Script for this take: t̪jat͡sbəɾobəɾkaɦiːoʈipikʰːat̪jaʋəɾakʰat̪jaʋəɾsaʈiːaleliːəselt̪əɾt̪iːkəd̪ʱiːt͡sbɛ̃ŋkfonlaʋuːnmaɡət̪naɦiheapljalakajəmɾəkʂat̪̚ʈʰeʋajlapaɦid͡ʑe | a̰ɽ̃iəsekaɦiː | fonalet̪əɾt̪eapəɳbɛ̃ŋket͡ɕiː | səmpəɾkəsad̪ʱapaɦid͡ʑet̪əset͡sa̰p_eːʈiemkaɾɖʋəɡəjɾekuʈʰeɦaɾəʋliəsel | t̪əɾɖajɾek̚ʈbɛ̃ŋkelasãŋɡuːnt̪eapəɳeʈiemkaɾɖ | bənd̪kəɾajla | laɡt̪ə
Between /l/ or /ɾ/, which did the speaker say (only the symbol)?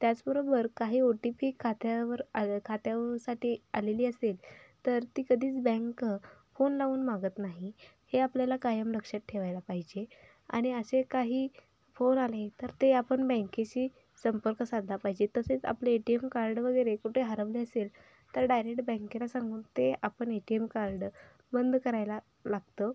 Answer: l